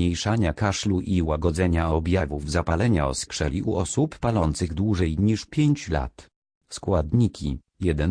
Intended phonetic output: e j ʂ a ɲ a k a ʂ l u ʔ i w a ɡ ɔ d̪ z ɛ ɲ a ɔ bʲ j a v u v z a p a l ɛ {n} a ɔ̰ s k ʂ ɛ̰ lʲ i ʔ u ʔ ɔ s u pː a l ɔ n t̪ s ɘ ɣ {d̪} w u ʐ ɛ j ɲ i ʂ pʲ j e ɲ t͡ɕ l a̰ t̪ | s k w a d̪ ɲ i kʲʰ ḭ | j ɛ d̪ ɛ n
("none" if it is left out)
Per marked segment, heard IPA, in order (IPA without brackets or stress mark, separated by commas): ɲ, d̪